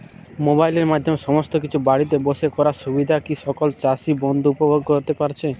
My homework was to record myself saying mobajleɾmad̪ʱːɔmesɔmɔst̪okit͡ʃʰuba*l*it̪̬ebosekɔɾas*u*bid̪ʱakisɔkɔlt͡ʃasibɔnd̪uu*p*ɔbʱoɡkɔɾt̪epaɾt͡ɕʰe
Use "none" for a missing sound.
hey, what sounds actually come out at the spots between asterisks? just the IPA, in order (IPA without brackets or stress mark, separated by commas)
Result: ɽ, u, p